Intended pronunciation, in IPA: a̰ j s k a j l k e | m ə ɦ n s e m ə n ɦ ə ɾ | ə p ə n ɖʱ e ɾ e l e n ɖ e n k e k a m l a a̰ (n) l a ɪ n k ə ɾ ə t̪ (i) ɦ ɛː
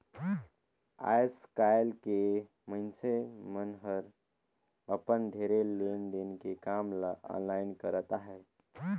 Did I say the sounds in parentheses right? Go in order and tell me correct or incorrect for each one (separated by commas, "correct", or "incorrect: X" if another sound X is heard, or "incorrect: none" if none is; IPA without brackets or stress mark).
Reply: correct, incorrect: a